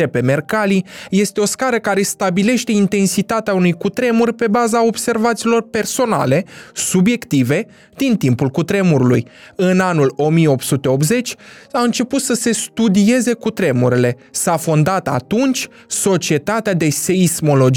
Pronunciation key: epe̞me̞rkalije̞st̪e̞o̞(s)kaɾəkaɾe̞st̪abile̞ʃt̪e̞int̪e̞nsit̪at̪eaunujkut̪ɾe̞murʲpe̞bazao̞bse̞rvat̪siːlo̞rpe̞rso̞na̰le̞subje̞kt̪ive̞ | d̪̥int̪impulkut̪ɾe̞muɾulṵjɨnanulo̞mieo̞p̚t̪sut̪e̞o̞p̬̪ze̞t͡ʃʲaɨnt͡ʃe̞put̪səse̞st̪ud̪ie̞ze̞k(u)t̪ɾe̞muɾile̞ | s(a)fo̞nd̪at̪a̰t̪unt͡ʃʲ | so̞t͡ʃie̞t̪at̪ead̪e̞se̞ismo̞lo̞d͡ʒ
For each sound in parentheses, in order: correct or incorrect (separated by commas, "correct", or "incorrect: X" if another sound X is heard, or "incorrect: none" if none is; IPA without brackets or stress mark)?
correct, correct, correct